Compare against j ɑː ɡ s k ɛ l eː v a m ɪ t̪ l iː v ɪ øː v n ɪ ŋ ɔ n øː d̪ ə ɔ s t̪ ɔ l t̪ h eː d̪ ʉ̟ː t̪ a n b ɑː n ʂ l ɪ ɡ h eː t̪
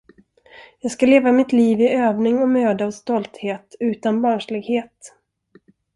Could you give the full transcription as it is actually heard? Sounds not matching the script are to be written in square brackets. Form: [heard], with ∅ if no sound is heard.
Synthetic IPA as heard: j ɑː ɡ s k [a] l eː v a m ɪ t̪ l iː v ɪ øː v n ɪ ŋ ɔ [m] øː d̪ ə ɔ s t̪ ɔ l t̪ h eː [t̪] ʉ̟ː t̪ a n b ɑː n ʂ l ɪ ɡ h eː t̪